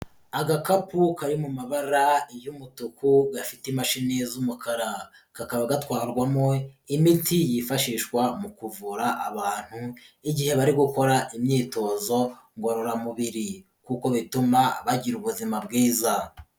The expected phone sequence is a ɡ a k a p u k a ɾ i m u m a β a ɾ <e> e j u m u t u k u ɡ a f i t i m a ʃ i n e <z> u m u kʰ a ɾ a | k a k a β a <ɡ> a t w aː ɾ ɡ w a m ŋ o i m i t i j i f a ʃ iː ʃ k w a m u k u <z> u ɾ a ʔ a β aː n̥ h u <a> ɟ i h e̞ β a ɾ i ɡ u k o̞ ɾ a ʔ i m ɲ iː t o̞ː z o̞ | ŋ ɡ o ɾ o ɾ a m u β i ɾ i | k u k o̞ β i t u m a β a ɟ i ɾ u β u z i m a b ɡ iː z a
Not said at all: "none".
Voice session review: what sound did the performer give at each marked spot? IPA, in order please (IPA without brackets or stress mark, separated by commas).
a, z, ɡ, v, i